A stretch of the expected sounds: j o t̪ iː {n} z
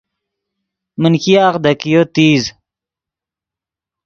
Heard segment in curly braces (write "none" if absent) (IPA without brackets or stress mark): none